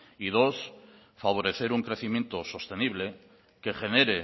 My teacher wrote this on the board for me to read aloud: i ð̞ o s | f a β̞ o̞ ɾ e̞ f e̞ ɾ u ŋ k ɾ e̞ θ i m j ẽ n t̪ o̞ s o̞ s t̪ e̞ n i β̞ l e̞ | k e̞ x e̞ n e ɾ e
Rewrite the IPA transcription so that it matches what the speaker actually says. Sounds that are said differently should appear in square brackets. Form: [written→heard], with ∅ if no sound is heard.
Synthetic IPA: i ð̞ o s | f a β̞ o̞ ɾ e̞ [f→θ] e̞ ɾ u ŋ k ɾ e̞ θ i m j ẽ n t̪ o̞ s o̞ s t̪ e̞ n i β̞ l e̞ | k e̞ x e̞ n e ɾ e